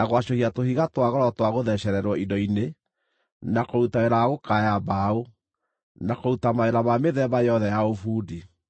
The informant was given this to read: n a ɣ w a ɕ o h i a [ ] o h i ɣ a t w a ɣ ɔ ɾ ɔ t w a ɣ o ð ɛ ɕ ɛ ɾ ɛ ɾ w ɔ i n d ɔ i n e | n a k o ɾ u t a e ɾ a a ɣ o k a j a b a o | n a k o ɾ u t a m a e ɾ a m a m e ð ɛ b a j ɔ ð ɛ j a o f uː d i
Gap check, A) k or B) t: B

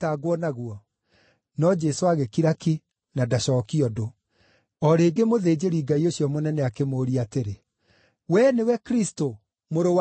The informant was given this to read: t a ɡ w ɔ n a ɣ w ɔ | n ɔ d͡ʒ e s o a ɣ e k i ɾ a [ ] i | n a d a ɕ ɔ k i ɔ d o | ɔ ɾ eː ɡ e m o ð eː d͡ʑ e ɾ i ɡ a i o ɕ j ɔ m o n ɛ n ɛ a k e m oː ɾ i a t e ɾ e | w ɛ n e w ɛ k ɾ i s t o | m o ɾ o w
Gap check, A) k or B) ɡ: A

